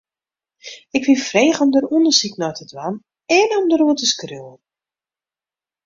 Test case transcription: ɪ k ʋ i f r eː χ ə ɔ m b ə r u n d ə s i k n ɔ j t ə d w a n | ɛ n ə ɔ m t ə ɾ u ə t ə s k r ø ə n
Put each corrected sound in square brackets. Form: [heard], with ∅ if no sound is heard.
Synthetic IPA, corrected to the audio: ɪ k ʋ i f r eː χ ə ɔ m [d] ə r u n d ə s i k n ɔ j t ə d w a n | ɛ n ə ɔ m [d] ə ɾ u ə t ə s k r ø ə n